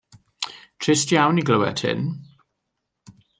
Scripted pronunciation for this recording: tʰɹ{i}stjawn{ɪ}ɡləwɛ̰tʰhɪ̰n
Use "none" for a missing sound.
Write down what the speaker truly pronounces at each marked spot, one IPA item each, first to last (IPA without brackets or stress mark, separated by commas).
ɪ, i